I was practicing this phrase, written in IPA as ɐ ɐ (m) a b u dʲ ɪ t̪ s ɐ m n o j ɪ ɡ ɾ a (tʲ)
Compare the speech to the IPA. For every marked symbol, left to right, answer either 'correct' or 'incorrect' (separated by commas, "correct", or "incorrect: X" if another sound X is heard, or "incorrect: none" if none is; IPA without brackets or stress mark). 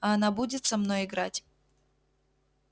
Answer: incorrect: n, correct